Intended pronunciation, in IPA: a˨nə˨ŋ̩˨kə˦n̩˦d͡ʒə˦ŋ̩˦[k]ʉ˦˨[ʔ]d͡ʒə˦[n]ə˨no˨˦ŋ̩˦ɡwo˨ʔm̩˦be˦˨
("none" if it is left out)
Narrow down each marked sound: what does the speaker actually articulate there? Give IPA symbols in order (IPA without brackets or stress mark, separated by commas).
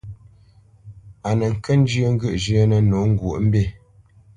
ɡ, ʔ, n